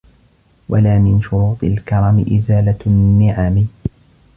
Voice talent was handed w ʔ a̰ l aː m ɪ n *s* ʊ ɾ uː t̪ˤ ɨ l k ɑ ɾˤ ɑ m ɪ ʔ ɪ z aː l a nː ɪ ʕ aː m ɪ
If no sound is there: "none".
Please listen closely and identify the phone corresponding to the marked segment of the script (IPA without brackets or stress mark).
ʃ